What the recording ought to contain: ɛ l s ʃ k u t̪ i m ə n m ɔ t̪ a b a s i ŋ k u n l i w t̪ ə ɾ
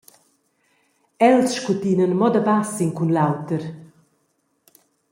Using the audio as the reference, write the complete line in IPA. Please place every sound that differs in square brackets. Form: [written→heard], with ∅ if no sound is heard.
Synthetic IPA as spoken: ɛ l s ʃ k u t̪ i [m→n] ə n m ɔ [t̪→d̪] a b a s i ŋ k u n l [i→a] w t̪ ə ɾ